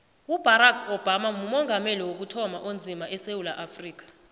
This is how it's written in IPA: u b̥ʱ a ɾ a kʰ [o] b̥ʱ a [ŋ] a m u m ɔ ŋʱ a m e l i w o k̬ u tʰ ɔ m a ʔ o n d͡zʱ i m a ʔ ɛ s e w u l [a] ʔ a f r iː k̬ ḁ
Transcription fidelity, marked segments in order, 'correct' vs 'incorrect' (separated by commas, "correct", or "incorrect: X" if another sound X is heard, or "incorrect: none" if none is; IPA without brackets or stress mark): incorrect: ɔ, incorrect: m, correct